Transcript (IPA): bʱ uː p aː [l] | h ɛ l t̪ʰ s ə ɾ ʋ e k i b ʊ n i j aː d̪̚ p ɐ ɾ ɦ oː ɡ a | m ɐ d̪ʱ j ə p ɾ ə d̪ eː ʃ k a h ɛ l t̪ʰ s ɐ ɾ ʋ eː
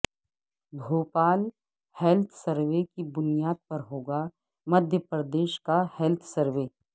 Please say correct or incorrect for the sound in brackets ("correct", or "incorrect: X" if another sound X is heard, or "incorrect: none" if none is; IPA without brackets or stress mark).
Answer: correct